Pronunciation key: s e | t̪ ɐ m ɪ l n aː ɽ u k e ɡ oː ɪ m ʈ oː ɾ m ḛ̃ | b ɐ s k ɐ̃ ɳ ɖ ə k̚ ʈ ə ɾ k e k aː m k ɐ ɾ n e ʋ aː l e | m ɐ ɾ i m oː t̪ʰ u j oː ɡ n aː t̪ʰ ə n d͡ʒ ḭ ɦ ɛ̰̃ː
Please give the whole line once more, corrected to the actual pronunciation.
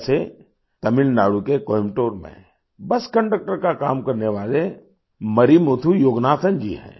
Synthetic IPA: s e | t̪ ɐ m ɪ l n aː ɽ u k e k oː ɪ m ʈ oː ɾ m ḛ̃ | b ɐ s k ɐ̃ ɳ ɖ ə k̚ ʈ ə ɾ k a k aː m k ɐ ɾ n e ʋ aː l e | m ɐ ɾ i m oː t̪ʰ u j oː ɡ n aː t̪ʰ ə n d͡ʒ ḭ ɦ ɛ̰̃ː

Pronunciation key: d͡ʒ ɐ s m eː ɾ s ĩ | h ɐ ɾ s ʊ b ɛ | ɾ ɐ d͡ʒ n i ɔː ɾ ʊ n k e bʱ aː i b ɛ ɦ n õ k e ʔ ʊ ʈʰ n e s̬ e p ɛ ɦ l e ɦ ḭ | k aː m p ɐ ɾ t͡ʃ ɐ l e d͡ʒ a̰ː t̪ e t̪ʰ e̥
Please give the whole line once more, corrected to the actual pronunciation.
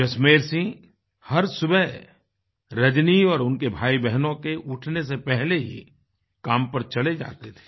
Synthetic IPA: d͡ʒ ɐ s m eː ɾ s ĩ | h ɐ ɾ s ʊ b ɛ | ɾ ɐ d͡ʒ n i ɔː ɾ ʊ n k e bʱ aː i b ɛ ɦ n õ k e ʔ ʊ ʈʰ n e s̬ e p ɛ ɦ l e ɦ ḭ | k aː m p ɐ ɾ t͡ʃ ɐ l e d͡ʒ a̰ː t̪ e t̪ʰ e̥

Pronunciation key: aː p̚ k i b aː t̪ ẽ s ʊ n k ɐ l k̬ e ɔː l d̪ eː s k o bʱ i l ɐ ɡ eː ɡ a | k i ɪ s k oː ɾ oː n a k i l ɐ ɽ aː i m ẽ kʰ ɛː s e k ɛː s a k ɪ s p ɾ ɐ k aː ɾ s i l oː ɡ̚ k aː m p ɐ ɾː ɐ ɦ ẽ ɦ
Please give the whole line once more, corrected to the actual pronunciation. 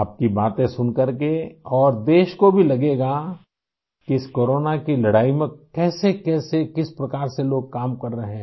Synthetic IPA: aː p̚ k i b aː t̪ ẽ s ʊ n k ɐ ɾ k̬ e ɔː ɾ d̪ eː ʃ k o bʱ i l ɐ ɡ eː ɡ a | k i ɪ s k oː ɾ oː n a k i l ɐ ɽ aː i m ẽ k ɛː s e k ɛː s e k ɪ s p ɾ ɐ k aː ɾ s e l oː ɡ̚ k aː m k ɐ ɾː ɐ ɦ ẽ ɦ

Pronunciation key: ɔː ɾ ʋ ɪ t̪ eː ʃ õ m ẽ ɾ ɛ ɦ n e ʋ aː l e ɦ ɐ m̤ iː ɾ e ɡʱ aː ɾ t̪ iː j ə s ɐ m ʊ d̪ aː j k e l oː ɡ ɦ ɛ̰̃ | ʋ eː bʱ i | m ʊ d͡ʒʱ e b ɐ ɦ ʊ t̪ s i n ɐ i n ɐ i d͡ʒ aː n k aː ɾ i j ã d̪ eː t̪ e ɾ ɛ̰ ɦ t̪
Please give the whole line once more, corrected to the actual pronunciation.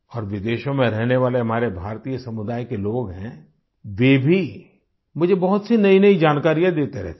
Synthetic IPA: ɔː ɾ ʋ ɪ d̪ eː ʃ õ m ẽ ɾ ɛ ɦ n e ʋ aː l e ɦ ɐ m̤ aː ɾ e bʱ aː ɾ t̪ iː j ə s ɐ m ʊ d̪ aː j k e l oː ɡ ɦ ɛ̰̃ | ʋ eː bʱ i | m ʊ d͡ʒʱ e b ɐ ɦ ʊ t̪ s i n ɐ i n ɐ i d͡ʒ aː n k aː ɾ i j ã d̪ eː t̪ e ɾ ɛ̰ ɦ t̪

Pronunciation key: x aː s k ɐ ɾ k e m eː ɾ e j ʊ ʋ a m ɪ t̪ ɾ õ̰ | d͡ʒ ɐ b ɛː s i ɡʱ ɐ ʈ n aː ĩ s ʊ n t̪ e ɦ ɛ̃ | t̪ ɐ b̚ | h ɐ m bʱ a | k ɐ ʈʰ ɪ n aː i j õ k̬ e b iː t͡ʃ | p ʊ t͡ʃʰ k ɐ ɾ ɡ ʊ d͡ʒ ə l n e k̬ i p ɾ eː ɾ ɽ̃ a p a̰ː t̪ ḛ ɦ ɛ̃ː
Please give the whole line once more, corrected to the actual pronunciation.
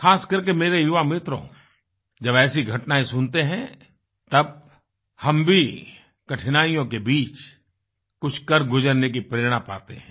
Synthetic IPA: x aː s k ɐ ɾ k e m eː ɾ e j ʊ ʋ a m ɪ t̪ ɾ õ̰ | d͡ʒ ɐ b ɛː s i ɡʱ ɐ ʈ n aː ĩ s ʊ n t̪ e ɦ ɛ̃ | t̪ ɐ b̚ | h ɐ m bʱ i | k ɐ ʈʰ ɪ n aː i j õ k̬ e b iː t͡ʃ | k ʊ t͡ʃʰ k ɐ ɾ ɡ ʊ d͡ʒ ə ɾ n e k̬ i p ɾ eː ɾ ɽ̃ a p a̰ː t̪ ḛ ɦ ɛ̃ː

